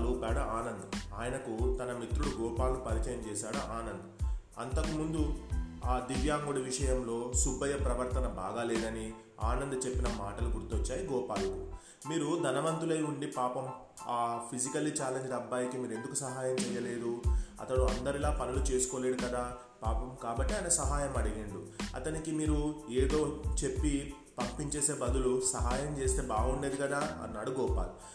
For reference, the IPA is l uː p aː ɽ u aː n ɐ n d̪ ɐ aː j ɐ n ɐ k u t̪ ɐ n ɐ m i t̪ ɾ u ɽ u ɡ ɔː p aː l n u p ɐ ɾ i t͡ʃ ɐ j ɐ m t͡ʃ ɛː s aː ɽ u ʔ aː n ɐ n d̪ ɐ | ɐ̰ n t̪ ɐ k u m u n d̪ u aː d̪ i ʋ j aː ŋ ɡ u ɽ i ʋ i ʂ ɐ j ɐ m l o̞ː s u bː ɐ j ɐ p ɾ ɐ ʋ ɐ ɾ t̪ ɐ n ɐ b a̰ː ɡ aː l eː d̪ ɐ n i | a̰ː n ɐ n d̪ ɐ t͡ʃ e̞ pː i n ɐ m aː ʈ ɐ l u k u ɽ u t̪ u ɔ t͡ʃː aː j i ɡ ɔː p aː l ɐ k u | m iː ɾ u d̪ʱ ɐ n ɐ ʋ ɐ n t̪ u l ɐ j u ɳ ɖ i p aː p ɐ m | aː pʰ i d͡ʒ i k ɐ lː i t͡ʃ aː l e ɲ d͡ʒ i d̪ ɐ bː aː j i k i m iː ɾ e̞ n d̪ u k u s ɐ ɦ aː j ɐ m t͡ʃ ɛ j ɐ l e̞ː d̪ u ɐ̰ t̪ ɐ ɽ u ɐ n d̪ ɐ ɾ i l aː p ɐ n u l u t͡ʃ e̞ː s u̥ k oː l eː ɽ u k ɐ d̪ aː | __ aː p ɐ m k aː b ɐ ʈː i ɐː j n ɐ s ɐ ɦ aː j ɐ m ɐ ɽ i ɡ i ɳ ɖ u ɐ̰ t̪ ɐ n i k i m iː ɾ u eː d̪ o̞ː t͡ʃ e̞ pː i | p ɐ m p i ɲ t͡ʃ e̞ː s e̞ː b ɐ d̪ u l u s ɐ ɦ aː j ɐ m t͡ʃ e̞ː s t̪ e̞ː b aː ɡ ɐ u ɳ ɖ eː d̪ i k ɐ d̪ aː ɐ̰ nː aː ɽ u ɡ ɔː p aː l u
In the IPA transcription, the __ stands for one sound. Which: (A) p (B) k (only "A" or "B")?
A